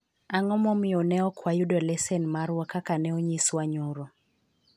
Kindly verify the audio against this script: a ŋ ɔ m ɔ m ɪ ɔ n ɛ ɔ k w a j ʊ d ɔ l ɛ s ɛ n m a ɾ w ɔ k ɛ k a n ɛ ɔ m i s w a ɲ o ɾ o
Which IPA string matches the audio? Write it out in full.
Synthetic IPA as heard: a ŋ ɔ m ɔ m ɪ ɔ n ɛ ɔ k w a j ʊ d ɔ l ɛ s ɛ n m a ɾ w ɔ k a k a n ɛ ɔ ɲ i s w a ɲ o ɾ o